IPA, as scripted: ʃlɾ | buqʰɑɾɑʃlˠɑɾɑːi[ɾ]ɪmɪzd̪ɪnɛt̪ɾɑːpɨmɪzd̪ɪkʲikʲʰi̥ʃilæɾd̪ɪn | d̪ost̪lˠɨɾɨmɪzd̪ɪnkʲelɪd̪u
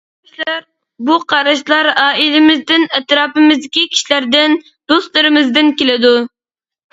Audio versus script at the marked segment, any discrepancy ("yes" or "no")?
yes